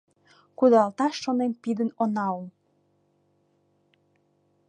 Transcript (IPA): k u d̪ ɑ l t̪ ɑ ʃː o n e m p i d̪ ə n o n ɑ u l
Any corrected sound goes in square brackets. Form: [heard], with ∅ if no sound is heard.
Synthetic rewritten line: k u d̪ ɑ l t̪ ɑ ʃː o n e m p i d̪ ə n o n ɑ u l